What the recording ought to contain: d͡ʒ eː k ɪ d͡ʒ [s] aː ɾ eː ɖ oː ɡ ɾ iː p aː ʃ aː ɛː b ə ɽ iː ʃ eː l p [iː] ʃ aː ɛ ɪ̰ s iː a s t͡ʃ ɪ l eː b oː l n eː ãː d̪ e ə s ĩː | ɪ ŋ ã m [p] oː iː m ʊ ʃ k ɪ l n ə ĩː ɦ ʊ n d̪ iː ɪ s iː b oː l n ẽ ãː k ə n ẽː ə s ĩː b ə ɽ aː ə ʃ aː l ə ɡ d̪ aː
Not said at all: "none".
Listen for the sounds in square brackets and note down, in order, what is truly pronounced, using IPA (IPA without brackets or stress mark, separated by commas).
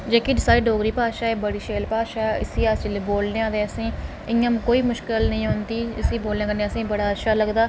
s, aː, k